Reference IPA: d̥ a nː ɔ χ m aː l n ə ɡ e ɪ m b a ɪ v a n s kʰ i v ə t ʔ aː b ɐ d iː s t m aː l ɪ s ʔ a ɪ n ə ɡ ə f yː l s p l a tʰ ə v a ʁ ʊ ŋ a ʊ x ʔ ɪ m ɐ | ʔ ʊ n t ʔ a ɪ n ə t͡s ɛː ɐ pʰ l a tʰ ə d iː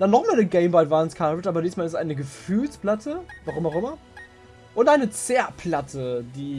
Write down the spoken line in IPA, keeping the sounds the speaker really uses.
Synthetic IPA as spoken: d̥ a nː ɔ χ m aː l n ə ɡ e ɪ m b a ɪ v a n s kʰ a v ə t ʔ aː b ɐ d iː s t m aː l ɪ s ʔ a ɪ n ə ɡ ə f yː l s p l a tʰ ə v a ʁ ʊ m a ʊ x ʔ ɪ m ɐ | ʔ ʊ n t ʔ a ɪ n ə t͡s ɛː ɐ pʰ l a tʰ ə d iː

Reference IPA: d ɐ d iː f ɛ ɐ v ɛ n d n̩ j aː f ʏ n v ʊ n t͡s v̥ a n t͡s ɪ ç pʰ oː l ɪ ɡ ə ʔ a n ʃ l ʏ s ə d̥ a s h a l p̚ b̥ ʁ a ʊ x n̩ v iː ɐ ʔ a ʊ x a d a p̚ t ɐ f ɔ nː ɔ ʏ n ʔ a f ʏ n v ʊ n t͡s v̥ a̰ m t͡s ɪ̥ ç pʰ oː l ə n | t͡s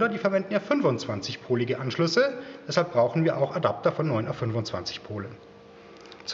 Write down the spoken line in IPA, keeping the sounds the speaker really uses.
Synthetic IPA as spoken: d ɐ d iː f ɛ ɐ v ɛ n d n̩ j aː f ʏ n v ʊ n t͡s v̥ a n t͡s ɪ ç pʰ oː l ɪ ɡ ə ʔ a n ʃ l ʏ s ə d̥ ɛ s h a l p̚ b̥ ʁ a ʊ x n̩ v iː ɐ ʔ a ʊ x a d a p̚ t ɐ f ɔ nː ɔ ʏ n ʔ a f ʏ n v ʊ n t͡s v̥ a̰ n t͡s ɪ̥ ç pʰ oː l ə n | t͡s

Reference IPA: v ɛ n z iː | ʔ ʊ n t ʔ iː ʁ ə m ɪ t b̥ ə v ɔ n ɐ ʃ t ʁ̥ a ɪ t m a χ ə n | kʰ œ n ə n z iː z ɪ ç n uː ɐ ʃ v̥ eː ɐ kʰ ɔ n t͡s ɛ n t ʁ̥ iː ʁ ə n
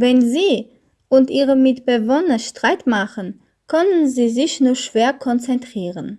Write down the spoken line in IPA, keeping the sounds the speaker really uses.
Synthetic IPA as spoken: v ɛ n z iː | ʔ ʊ n t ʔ iː ʁ ə m ɪ t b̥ ə v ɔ n ɐ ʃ t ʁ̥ a ɪ t m a χ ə n | kʰ œ n ə n z iː z ɪ ç n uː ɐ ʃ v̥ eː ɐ kʰ ɔ n t͡s ɛ n t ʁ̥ iː ʁ ə n

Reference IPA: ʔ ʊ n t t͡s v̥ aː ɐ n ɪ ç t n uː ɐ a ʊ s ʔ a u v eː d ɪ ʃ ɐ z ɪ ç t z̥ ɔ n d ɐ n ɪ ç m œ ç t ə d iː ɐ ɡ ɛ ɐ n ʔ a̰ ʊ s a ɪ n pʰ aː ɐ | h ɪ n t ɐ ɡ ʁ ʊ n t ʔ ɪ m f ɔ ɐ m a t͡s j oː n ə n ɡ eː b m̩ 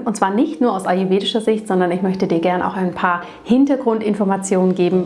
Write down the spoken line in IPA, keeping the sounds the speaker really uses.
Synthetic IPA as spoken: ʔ ʊ n t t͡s v̥ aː ɐ n ɪ ç t n uː ɐ a ʊ s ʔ a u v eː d ɪ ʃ ɐ z ɪ ç t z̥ ɔ n d ɐ n ɪ ç m œ ç t ə d iː ɐ ɡ ɛ ɐ n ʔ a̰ ʊ x a ɪ n pʰ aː ɐ | h ɪ n t ɐ ɡ ʁ ʊ n t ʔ ɪ n f ɔ ɐ m a t͡s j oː n ə n ɡ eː b m̩

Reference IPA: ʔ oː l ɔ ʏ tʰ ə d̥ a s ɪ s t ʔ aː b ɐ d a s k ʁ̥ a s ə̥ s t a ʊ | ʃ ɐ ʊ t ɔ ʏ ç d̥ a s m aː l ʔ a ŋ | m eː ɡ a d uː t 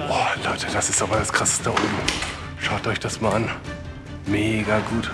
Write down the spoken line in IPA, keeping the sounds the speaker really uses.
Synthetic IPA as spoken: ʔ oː l ɔ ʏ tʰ ə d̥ a s ɪ s t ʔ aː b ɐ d a s k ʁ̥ a s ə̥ s t ə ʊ | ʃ a ʊ t ɔ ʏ ç d̥ a s m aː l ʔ a n | m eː ɡ a ɡ uː t

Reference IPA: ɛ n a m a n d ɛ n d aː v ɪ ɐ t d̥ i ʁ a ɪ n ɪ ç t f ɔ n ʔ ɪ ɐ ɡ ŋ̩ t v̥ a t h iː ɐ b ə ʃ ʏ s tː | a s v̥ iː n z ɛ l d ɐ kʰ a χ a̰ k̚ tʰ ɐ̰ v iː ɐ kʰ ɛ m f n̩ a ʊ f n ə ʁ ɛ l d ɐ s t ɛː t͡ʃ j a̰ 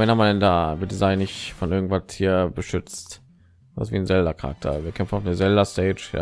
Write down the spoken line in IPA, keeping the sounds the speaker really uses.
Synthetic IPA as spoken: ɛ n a m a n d ɛ n d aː v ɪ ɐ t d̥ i z a ɪ n ɪ ç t f ɔ n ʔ ɪ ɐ ɡ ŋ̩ t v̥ a t h iː ɐ b ə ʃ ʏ t͡s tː | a s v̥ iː n z ɛ l d ɐ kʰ a ʁ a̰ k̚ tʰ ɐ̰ v iː ɐ kʰ ɛ m f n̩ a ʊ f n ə z ɛ l d ɐ s t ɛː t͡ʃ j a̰

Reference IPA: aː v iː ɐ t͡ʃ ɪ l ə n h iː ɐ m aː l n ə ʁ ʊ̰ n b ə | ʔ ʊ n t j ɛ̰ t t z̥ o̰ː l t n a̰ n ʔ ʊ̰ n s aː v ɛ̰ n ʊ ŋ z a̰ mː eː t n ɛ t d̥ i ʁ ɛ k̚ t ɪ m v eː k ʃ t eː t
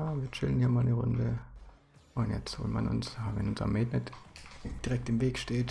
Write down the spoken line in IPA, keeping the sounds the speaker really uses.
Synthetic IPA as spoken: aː v iː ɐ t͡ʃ ɪ l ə n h iː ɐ m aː l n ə ʁ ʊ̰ n d ə | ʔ ʊ n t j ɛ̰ t͡s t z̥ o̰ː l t m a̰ n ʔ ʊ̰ n s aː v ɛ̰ n ʊ n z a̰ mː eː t n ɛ t d̥ i ʁ ɛ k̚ t ɪ m v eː k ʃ t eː t

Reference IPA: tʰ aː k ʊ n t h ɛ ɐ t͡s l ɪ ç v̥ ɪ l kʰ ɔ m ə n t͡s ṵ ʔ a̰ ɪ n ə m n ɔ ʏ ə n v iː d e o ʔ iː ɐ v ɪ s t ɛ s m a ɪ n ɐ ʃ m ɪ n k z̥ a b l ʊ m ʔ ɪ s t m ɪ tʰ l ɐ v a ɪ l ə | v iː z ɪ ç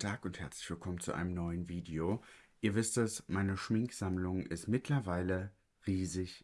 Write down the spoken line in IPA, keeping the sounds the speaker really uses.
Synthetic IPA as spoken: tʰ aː k ʊ n t h ɛ ɐ t͡s l ɪ ç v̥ ɪ l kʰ ɔ m ə n t͡s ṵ ʔ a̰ ɪ n ə m n ɔ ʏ ə n v iː d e o ʔ iː ɐ v ɪ s t ɛ s m a ɪ n ə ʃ m ɪ ŋ k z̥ a m l ʊ ŋ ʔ ɪ s t m ɪ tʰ l ɐ v a ɪ l ə | ʁ iː z ɪ ç

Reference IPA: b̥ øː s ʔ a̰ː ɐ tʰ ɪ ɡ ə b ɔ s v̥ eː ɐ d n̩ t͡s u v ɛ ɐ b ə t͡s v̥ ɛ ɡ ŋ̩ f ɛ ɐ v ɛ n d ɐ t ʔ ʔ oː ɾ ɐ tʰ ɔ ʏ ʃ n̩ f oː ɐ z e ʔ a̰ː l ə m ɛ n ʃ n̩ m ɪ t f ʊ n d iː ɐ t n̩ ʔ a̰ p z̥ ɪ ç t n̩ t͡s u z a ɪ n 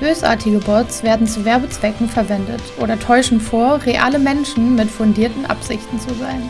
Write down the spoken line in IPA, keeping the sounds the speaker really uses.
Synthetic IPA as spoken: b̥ øː s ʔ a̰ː ɐ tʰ ɪ ɡ ə b ɔ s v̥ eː ɐ d n̩ t͡s u v ɛ ɐ b ə t͡s v̥ ɛ k ŋ̩ f ɛ ɐ v ɛ n d ə t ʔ ʔ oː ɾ ɐ tʰ ɔ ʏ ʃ n̩ f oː ɐ ʁ e ʔ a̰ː l ə m ɛ n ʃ n̩ m ɪ t f ʊ n d iː ɐ t n̩ ʔ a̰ p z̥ ɪ ç t n̩ t͡s u z a ɪ n

